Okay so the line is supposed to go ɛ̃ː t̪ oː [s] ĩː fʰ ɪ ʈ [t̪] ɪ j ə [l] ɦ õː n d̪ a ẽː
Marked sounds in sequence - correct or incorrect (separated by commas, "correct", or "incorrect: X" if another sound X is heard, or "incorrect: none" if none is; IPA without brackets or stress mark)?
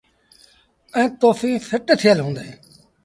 incorrect: f, incorrect: t̪ʰ, correct